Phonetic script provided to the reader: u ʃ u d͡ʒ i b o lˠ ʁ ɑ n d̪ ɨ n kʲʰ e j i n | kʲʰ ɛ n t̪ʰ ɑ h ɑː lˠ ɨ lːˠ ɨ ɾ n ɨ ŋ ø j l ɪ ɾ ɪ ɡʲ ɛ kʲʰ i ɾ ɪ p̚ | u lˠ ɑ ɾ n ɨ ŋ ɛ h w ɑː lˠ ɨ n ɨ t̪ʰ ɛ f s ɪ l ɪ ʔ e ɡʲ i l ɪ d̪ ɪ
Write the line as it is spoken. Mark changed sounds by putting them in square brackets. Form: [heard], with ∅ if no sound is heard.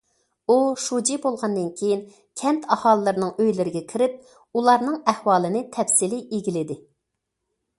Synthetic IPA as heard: u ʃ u d͡ʒ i b o lˠ ʁ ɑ n d̪ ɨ n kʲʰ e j i n | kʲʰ ɛ n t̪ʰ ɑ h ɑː lˠ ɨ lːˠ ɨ ɾ n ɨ ŋ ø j l ɪ ɾ ɪ ɡʲ ɛ kʲʰ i ɾ ɪ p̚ | u lˠ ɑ ɾ n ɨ ŋ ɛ h w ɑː lˠ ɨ n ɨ t̪ʰ ɛ f s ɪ l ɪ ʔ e ɡʲ i l ɪ d̪ ɪ